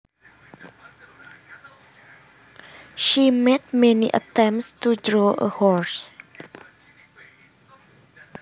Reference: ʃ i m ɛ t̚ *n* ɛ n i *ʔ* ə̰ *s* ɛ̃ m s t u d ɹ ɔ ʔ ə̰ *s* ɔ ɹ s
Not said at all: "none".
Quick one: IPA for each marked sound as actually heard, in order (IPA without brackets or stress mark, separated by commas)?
m, ʔ, t, h